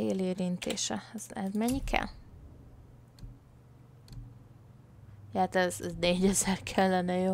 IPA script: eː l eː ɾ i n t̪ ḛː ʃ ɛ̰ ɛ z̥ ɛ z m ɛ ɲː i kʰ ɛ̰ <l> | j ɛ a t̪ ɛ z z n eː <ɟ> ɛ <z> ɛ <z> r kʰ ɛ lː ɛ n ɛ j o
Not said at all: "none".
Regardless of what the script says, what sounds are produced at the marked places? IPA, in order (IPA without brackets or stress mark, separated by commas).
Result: l, ɟ, z, none